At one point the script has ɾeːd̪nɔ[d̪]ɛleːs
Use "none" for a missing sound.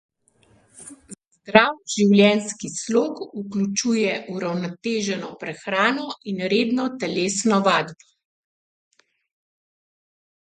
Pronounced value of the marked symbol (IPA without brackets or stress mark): t̪